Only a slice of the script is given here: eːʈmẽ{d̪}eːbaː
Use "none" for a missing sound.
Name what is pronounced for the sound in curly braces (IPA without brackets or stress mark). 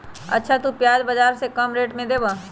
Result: d̪